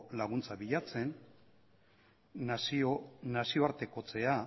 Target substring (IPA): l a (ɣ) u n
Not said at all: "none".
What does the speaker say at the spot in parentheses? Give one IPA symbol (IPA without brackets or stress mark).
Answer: ɣ